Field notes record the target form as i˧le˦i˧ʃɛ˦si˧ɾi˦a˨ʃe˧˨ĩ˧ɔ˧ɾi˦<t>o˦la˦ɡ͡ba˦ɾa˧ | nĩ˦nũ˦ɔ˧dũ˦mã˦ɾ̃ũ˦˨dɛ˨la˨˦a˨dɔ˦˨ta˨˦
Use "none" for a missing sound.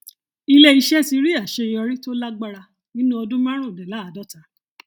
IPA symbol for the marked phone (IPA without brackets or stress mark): t